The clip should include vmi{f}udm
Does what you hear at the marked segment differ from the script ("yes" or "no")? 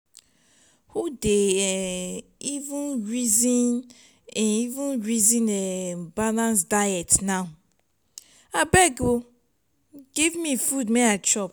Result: no